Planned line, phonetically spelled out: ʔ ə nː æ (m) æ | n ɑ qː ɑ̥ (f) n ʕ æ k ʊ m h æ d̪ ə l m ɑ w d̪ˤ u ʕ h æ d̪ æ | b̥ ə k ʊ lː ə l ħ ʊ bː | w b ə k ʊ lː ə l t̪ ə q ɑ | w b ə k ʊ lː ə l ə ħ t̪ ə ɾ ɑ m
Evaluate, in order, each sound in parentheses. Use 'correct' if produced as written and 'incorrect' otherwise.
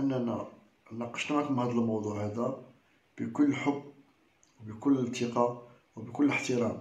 incorrect: n, incorrect: ʃ

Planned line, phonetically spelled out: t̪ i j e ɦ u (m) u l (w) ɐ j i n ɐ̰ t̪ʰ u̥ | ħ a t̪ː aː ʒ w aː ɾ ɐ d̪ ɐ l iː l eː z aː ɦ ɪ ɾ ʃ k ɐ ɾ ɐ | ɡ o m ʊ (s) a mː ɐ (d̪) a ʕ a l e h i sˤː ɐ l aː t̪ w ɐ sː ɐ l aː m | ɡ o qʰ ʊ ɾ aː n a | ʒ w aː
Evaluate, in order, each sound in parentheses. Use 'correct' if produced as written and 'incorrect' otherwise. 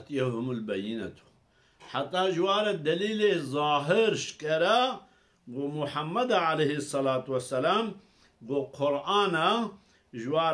correct, incorrect: b, incorrect: ħ, correct

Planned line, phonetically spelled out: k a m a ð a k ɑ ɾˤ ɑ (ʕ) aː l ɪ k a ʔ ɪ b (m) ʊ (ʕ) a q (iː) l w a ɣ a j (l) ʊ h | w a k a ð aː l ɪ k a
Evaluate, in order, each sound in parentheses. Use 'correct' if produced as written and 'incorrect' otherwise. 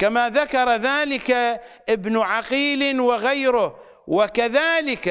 incorrect: ð, incorrect: n, correct, correct, incorrect: ɾ

